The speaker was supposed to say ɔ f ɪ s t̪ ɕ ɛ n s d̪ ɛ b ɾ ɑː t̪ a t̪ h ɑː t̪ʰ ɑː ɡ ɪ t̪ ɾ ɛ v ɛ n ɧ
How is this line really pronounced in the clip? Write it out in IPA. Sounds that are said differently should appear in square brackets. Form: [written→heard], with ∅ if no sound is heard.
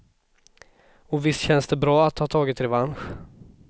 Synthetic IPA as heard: ɔ [f→v] ɪ s t̪ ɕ ɛ n s d̪ ɛ b ɾ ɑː [t̪→∅] a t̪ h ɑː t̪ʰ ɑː ɡ ɪ t̪ ɾ ɛ v [ɛ→a] n ɧ